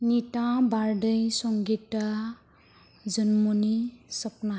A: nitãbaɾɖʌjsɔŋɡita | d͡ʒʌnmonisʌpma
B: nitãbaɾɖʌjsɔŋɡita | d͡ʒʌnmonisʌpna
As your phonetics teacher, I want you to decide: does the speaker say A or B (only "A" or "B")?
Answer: B